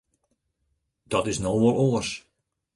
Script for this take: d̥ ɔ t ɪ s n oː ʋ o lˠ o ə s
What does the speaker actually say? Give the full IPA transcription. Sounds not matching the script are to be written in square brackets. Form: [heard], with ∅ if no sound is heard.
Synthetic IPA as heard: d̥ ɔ t ɪ s n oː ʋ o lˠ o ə s